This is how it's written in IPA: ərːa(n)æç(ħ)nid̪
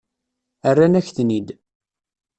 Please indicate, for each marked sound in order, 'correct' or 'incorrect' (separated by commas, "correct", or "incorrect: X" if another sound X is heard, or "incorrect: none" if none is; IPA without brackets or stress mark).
correct, incorrect: θ